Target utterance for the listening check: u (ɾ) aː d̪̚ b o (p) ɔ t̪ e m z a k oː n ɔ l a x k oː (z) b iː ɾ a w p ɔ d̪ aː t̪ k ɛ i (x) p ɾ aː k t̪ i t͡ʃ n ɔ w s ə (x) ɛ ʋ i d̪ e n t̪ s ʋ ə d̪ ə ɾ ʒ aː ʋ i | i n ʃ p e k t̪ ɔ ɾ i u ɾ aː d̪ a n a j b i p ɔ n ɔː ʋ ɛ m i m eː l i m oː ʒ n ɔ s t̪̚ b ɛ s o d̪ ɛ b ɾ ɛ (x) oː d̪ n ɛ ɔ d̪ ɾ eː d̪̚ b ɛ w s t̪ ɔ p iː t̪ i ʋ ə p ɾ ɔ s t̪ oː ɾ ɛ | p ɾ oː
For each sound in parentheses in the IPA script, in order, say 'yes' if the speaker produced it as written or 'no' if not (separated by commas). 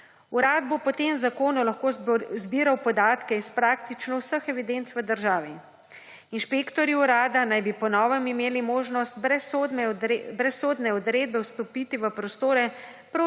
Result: yes, yes, yes, no, yes, no